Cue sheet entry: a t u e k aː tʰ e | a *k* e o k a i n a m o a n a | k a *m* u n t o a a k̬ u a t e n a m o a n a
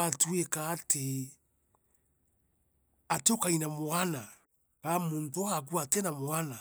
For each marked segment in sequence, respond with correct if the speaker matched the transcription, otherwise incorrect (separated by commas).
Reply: incorrect, correct